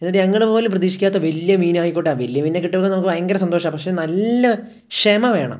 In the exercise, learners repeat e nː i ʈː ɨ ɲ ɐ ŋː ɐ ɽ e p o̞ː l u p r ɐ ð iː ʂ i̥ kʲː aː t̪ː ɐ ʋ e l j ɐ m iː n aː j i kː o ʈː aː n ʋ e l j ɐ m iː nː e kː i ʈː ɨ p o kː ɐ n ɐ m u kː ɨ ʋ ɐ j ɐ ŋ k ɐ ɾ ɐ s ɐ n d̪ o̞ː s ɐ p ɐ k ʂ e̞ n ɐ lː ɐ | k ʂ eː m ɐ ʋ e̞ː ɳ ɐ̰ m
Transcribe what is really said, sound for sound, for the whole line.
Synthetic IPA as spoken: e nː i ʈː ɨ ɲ ɐ ŋː ɐ ɭ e p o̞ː l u p r ɐ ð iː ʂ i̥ kʲː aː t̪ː ɐ ʋ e l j ɐ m iː n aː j i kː o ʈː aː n ʋ e l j ɐ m iː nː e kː i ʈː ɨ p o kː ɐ n ɐ m u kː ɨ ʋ ɐ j ɐ ŋ ɡ ɐ ɾ ɐ s ɐ n d̪ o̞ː ʂ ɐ p ɐ k ʂ e̞ n ɐ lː ɐ | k ʂ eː m ɐ ʋ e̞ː ɳ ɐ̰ m